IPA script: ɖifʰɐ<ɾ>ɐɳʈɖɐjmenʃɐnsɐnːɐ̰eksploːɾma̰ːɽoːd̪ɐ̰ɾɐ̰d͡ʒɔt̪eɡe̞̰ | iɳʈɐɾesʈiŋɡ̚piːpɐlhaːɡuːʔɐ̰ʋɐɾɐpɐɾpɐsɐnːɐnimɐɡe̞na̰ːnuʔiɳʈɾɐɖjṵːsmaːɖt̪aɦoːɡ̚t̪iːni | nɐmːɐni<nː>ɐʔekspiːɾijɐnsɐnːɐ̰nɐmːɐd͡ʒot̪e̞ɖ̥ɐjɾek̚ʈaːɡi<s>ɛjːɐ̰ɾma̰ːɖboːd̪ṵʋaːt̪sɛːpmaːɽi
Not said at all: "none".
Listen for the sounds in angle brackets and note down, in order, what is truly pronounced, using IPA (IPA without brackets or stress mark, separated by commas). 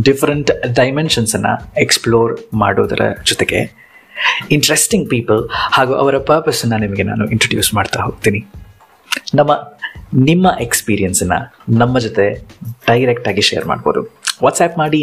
ɾ, mː, ʃ